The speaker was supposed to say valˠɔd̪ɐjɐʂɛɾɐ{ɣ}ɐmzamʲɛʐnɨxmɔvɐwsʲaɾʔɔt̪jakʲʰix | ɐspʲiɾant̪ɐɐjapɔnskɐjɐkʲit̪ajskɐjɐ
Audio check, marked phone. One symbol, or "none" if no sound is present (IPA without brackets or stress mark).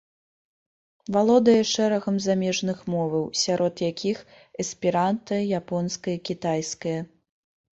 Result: ɣ